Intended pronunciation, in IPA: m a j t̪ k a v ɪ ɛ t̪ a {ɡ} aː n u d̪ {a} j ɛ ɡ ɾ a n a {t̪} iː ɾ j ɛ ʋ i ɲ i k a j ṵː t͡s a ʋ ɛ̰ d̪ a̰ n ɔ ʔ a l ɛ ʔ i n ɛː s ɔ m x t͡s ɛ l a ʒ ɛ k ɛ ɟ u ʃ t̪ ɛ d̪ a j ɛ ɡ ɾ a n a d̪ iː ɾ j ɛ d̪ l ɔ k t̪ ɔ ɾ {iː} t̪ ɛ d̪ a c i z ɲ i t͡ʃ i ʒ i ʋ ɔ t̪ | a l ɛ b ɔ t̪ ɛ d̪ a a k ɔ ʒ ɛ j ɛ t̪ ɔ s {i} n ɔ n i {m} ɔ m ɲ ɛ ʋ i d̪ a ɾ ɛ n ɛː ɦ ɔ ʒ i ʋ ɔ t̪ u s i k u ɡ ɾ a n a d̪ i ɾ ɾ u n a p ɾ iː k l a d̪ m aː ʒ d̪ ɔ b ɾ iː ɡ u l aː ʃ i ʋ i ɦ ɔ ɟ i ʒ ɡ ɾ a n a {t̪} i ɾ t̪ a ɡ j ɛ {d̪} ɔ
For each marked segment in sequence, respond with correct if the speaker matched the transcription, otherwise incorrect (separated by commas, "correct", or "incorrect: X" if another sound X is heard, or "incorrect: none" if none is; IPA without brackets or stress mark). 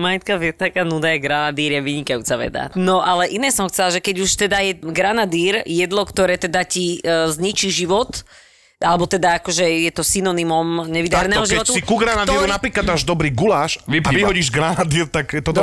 incorrect: k, correct, incorrect: d̪, incorrect: ɛː, correct, correct, incorrect: d̪, incorrect: t̪